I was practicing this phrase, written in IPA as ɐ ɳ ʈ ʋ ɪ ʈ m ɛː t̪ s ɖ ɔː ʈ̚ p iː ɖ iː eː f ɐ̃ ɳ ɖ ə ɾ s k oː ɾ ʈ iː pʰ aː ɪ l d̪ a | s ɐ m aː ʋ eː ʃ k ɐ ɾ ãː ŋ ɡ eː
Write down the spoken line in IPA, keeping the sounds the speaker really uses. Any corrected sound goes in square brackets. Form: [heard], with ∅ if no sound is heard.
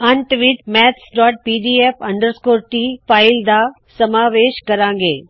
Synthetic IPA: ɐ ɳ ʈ ʋ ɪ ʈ m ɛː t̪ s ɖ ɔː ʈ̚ p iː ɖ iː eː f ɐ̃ ɳ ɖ ə ɾ s k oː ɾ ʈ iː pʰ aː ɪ l d̪ a | s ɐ m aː ʋ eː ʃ k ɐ ɾ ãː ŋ ɡ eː